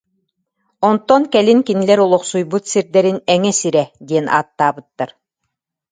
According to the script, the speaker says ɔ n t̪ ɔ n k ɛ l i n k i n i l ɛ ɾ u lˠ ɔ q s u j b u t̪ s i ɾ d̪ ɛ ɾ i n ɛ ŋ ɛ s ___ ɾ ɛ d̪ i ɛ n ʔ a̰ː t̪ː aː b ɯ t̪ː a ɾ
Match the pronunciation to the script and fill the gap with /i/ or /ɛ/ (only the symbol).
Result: i